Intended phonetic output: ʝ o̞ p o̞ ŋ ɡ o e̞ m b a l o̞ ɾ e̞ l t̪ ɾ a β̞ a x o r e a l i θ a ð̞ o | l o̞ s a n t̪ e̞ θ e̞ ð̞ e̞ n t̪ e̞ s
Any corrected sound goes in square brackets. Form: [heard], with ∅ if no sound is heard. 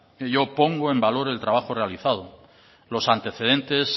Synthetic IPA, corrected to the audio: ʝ o̞ p o̞ ŋ ɡ o e̞ m b a l o̞ ɾ e̞ l t̪ ɾ a β̞ a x o r e a l i θ a ð̞ o | l o̞ s a n t̪ e̞ θ e̞ ð̞ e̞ n t̪ e̞ s